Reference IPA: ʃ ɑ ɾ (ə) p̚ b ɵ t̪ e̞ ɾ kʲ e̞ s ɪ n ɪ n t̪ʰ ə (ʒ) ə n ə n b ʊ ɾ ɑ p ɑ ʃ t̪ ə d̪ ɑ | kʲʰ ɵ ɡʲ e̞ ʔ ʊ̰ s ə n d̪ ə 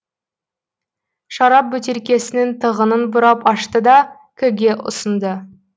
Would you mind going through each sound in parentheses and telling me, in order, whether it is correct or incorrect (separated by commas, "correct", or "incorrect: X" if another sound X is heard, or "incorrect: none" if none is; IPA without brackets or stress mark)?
incorrect: ɑ, incorrect: ʁ